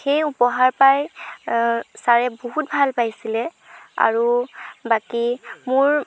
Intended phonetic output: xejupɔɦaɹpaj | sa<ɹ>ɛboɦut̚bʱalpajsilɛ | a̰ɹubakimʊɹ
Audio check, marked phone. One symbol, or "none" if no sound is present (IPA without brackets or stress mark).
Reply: ɹ